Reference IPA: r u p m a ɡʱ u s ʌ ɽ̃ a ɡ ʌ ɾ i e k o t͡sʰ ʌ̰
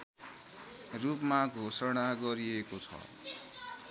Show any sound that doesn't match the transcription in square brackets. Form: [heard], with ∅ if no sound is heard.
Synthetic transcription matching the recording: r u p m a ɡʱ [o] s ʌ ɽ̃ a ɡ ʌ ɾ i e k o t͡sʰ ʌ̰